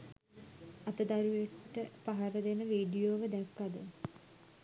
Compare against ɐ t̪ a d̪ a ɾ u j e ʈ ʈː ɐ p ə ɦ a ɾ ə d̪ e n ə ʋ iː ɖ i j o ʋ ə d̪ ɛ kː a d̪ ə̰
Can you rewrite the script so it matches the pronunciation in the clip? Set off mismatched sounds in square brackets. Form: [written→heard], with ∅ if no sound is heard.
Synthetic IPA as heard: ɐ t̪ [a→ə] d̪ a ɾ u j e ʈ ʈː [ɐ→ə] p [ə→a] ɦ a ɾ ə d̪ e n ə ʋ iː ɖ i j o ʋ ə d̪ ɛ kː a d̪ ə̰

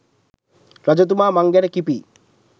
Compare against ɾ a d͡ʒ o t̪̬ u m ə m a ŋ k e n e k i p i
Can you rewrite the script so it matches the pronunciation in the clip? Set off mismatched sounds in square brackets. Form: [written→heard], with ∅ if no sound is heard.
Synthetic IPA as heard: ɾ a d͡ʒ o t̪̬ u m [ə→a] m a ŋ [k→ɡ] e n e k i p i

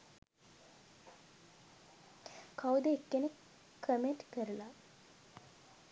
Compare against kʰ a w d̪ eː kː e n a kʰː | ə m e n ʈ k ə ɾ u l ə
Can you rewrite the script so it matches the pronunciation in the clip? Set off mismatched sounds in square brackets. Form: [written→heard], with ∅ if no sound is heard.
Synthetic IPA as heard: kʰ a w d̪ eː kː e n [a→e] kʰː | ə m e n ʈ k ə ɾ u l [ə→a]

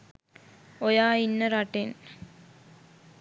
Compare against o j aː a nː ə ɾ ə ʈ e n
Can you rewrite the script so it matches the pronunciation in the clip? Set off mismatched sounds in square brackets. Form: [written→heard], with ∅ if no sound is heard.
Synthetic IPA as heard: o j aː [a→i] nː ə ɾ [ə→a] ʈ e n

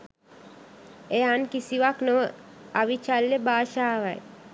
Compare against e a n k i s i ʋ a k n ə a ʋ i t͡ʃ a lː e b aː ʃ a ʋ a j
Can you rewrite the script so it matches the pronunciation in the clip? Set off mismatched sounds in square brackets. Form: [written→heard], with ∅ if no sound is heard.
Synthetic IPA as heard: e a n k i s i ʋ a k n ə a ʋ i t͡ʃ a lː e b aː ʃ a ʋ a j

